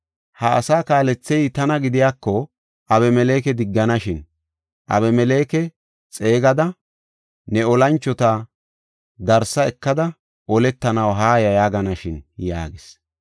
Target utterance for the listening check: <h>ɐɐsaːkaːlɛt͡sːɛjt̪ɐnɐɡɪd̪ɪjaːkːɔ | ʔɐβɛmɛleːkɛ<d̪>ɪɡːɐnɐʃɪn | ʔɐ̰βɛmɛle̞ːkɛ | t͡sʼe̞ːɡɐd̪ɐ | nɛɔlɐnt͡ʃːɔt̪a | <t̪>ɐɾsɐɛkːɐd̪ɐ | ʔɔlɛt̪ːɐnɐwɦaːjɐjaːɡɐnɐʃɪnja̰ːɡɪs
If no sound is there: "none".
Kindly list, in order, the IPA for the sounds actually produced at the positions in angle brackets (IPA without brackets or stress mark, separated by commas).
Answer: h, d̪, d̪